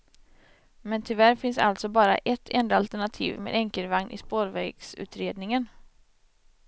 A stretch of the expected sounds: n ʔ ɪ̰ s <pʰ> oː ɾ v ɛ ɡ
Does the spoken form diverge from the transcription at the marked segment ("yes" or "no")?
yes